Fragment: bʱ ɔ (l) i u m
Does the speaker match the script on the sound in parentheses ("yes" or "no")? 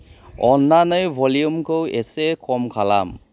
yes